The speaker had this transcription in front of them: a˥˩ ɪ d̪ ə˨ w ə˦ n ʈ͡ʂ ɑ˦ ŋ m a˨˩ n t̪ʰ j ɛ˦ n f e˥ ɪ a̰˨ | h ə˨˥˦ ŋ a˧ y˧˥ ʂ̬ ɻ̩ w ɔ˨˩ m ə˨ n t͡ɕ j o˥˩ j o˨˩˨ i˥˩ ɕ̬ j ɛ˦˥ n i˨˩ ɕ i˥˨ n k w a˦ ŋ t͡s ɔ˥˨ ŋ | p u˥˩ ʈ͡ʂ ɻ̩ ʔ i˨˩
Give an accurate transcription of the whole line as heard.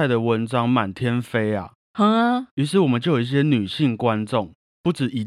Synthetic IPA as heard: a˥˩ ɪ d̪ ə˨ w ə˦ n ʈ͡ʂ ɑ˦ ŋ m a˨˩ n t̪ʰ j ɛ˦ n f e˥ ɪ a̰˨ | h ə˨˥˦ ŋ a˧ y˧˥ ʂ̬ ɻ̩ w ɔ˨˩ m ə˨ n t͡ɕ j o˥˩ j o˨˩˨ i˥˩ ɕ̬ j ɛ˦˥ n y˨˩ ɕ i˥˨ ŋ k w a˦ n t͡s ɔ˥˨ ŋ | p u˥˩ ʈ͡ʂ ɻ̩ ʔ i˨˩